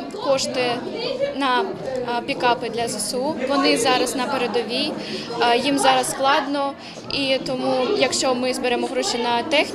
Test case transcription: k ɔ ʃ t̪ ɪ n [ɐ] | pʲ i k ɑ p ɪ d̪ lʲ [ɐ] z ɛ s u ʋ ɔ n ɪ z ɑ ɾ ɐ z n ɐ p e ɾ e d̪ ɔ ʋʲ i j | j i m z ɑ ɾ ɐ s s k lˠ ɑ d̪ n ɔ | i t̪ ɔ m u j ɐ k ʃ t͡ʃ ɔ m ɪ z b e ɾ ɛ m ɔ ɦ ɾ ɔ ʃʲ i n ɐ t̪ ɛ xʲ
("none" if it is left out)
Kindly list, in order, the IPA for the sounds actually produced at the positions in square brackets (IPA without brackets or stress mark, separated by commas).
ɐ, ɐ